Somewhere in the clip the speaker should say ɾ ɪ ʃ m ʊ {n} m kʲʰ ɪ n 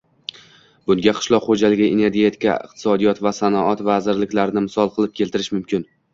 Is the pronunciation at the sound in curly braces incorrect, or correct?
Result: incorrect